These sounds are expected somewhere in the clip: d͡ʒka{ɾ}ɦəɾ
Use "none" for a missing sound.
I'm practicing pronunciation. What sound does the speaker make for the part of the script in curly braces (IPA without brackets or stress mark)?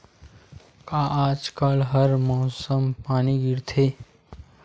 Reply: l